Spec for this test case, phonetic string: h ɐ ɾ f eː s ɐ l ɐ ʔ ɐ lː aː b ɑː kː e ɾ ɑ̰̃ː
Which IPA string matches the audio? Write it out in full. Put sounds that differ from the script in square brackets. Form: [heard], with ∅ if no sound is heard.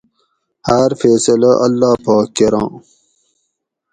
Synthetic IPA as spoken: h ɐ ɾ f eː s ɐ l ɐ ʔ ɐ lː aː [p] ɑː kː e ɾ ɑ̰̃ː